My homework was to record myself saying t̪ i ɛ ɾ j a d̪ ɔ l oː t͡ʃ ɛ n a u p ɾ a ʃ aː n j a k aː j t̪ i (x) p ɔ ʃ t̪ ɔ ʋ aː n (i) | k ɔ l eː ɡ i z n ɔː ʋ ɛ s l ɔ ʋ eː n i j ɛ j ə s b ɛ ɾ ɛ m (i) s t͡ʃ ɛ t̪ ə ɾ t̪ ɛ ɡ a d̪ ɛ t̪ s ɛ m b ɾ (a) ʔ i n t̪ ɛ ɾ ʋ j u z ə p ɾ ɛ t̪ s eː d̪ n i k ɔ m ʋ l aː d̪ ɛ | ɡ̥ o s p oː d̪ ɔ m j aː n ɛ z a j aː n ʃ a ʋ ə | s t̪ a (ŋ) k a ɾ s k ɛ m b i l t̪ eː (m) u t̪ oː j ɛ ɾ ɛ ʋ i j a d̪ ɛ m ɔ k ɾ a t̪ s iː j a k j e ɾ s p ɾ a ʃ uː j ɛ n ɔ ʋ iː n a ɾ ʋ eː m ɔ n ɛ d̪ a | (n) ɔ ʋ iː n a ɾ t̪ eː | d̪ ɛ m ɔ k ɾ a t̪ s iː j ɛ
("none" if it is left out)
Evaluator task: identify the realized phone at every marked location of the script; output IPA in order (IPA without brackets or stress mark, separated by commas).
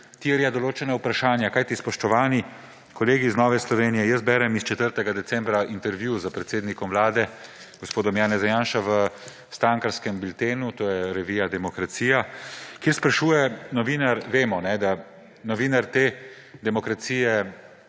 s, i, i, a, ŋ, n, n